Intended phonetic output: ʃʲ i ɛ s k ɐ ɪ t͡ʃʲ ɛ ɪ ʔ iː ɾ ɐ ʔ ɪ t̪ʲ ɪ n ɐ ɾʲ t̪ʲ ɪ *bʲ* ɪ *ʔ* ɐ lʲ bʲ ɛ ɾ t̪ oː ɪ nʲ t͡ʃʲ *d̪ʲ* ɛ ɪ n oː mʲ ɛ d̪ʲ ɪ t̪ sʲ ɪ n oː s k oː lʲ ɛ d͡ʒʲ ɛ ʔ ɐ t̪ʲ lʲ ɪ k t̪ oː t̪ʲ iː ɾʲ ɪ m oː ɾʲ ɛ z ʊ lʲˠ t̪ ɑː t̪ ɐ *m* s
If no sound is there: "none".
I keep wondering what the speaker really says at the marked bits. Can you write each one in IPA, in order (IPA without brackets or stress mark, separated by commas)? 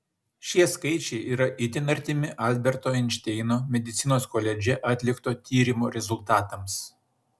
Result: mʲ, ʔ, t̪ʲ, m